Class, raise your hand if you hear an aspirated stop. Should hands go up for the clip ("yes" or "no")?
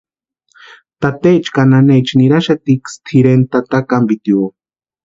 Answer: yes